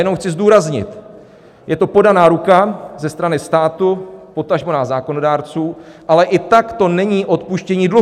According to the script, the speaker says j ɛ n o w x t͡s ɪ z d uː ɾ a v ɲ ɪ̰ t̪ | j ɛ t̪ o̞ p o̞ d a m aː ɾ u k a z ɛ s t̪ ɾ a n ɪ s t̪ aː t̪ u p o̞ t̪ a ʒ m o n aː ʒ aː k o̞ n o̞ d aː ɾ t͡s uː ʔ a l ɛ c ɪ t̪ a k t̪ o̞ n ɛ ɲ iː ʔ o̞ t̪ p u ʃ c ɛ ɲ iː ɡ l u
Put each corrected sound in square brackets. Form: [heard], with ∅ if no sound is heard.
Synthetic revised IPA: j ɛ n o w x t͡s ɪ z d uː ɾ a [z] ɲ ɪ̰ t̪ | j ɛ t̪ o̞ p o̞ d a [n] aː ɾ u k a z ɛ s t̪ ɾ a n ɪ s t̪ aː t̪ u p o̞ t̪ a ʒ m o n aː [z] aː k o̞ n o̞ d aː ɾ t͡s uː ʔ a l ɛ [ʔ] ɪ t̪ a k t̪ o̞ n ɛ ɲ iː ʔ o̞ t̪ p u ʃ c ɛ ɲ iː [d] l u

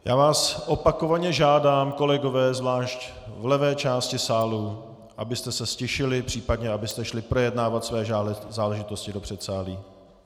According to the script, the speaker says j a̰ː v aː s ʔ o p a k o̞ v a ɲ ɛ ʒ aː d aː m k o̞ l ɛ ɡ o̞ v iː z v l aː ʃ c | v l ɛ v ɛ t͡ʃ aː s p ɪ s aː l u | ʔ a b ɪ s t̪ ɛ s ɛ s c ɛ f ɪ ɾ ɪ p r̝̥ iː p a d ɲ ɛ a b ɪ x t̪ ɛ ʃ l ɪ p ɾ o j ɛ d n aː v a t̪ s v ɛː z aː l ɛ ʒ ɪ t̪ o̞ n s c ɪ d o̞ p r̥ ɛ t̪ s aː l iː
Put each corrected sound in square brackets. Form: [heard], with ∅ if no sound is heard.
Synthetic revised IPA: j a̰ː v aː s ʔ o p a k o̞ v a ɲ ɛ ʒ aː d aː m k o̞ l ɛ ɡ o̞ v [ɛː] z v l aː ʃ c | v l ɛ v [ɛː] t͡ʃ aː s [c] ɪ s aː l u | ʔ a b ɪ s t̪ ɛ s ɛ s c ɛ [ʃ] ɪ [l] ɪ p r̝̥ iː p a d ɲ ɛ a b ɪ [s] t̪ ɛ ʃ l ɪ p ɾ o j ɛ d n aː v a t̪ s v ɛː z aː l ɛ ʒ ɪ t̪ o̞ [∅] s c ɪ d o̞ p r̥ ɛ t̪ s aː l iː

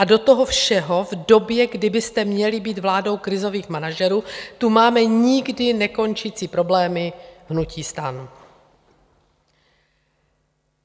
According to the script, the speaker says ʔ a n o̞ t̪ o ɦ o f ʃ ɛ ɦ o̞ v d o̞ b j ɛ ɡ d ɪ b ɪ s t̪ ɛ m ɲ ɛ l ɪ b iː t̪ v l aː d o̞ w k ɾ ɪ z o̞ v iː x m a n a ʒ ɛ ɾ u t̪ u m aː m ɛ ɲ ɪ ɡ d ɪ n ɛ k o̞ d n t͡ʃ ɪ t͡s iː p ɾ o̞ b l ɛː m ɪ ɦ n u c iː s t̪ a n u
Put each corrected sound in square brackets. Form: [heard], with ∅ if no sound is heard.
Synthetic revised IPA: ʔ a [d] o̞ t̪ o ɦ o f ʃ ɛ ɦ o̞ v d o̞ b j ɛ ɡ d ɪ b ɪ s t̪ ɛ m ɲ ɛ l ɪ b iː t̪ v l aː d o̞ w k ɾ ɪ z o̞ v iː x m a n a ʒ ɛ ɾ [uː] t̪ u m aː m ɛ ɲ ɪ ɡ d ɪ n ɛ k o̞ [∅] n t͡ʃ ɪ t͡s iː p ɾ o̞ b l ɛː m ɪ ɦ n u c iː s t̪ a n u

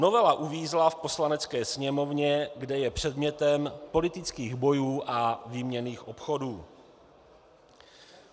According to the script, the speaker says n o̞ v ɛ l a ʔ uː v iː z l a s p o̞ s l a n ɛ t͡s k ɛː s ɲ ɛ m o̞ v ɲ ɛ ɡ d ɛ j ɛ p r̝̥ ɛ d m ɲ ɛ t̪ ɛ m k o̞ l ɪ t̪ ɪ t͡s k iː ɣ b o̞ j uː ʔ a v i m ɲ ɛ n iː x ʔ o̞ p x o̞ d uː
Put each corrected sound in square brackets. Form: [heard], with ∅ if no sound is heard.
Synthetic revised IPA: n o̞ v ɛ l a ʔ [u] v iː z l a [f] p o̞ s l a n ɛ t͡s k ɛː s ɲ ɛ m o̞ v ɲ ɛ ɡ d ɛ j ɛ p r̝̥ ɛ d m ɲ ɛ t̪ ɛ m [p] o̞ l ɪ t̪ ɪ t͡s k iː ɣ b o̞ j uː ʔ a v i m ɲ ɛ n iː x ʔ o̞ p x o̞ d uː

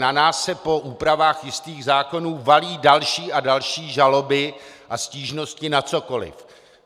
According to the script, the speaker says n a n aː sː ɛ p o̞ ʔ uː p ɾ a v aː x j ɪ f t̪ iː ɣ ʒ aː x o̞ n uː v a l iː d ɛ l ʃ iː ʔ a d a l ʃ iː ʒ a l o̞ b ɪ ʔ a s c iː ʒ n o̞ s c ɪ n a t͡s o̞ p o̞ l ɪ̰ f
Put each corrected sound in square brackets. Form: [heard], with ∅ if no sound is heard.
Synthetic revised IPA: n a n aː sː ɛ p o̞ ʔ uː p ɾ a v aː x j ɪ [s] t̪ iː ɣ [z] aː [k] o̞ n uː v a l iː d [a] l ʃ iː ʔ a d a l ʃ iː ʒ a l o̞ b ɪ ʔ a s c iː ʒ n o̞ s c ɪ n a t͡s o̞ [k] o̞ l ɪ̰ f

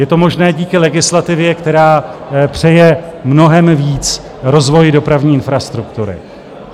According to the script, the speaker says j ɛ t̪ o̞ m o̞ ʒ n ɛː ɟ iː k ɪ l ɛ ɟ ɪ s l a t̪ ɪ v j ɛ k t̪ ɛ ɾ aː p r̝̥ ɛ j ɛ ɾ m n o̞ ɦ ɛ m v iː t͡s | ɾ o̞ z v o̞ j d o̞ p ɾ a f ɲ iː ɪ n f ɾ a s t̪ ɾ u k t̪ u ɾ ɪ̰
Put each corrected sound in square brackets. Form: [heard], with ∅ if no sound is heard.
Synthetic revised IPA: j ɛ t̪ o̞ m o̞ ʒ n ɛː ɟ iː k ɪ l ɛ [ɡ] ɪ s l a t̪ ɪ v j ɛ k t̪ ɛ ɾ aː p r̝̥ ɛ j ɛ [∅] m n o̞ ɦ ɛ m v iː t͡s | ɾ o̞ z v o̞ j d o̞ p ɾ a [v] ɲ iː ɪ n f ɾ a s t̪ ɾ u k t̪ u ɾ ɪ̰

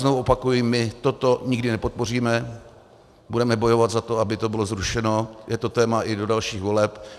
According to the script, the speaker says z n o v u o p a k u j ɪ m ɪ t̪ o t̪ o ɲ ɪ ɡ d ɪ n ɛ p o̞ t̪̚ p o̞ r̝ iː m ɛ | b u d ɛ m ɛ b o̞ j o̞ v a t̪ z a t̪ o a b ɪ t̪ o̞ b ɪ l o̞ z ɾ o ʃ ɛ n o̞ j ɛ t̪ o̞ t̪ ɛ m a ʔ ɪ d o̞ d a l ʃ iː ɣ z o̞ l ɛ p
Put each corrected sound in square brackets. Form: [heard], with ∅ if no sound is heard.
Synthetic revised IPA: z n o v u o p a k u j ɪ m ɪ t̪ o t̪ o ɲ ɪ ɡ d ɪ n ɛ p o̞ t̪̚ p o̞ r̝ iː m ɛ | b u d ɛ m ɛ b o̞ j o̞ v a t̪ z a t̪ o a b ɪ t̪ o̞ b ɪ l o̞ z ɾ [u] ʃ ɛ n o̞ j ɛ t̪ o̞ t̪ [ɛː] m a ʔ ɪ d o̞ d a l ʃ iː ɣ [v] o̞ l ɛ p

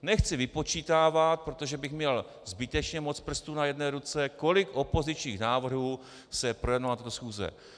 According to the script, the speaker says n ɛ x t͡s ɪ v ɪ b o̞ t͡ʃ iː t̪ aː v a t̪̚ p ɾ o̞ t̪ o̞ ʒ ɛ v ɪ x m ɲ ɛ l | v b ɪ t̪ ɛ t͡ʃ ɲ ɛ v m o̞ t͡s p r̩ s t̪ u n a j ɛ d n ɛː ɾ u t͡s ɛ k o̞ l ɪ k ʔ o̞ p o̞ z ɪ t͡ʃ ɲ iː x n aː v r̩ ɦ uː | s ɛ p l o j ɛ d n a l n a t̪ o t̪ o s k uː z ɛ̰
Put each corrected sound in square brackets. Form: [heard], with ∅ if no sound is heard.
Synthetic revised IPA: n ɛ x t͡s ɪ v ɪ [p] o̞ t͡ʃ iː t̪ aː v a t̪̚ p ɾ o̞ t̪ o̞ ʒ ɛ [b] ɪ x m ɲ ɛ l | [z] b ɪ t̪ ɛ t͡ʃ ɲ ɛ [∅] m o̞ t͡s p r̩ s t̪ u n a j ɛ d n ɛː ɾ u t͡s ɛ k o̞ l ɪ k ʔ o̞ p o̞ z ɪ t͡ʃ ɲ iː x n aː v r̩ ɦ uː | s ɛ p [ɾ] o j ɛ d n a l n a t̪ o t̪ o s [x] uː z ɛ̰

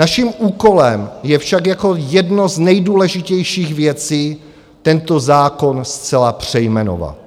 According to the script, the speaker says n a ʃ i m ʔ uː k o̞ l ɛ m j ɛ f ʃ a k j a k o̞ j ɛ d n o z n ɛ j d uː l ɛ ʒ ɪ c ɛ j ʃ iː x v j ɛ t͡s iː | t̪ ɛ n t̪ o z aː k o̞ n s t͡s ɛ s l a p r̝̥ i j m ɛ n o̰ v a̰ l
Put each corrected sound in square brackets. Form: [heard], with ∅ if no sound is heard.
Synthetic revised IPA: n a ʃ i m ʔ uː k o̞ l ɛ m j ɛ f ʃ a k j a k o̞ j ɛ d n o z n ɛ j d uː l ɛ ʒ ɪ c ɛ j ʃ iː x v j ɛ t͡s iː | t̪ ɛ n t̪ o z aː k o̞ n s t͡s ɛ [∅] l a p r̝̥ [ɛ] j m ɛ n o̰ v a̰ l

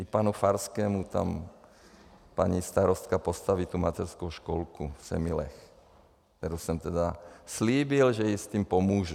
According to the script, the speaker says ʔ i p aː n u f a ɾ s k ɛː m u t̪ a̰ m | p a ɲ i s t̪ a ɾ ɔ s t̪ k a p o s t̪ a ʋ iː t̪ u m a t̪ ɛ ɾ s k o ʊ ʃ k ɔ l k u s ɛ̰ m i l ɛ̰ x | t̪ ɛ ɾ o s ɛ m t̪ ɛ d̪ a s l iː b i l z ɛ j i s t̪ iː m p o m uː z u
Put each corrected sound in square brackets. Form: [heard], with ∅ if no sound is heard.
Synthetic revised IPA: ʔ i p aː n u f a ɾ s k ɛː m u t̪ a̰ m | p a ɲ i s t̪ a ɾ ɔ s t̪ k a p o s t̪ a ʋ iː t̪ u m a t̪ ɛ ɾ s k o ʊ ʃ k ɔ l k u s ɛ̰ m i l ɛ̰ x | t̪ ɛ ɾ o s ɛ m t̪ ɛ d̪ a s l iː b i l [ʒ] ɛ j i s t̪ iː m p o m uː [ʒ] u

